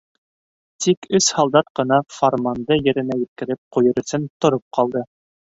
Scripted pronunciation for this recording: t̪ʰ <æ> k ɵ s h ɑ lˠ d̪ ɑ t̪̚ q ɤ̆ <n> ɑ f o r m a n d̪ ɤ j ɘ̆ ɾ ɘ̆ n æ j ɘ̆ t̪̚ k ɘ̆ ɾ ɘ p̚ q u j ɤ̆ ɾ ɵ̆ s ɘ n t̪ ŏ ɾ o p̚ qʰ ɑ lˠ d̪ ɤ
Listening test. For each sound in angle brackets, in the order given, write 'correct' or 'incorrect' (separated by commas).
incorrect, correct